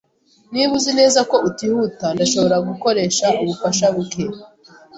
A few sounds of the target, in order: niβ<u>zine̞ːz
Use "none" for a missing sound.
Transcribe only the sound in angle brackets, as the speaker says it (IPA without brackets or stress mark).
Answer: u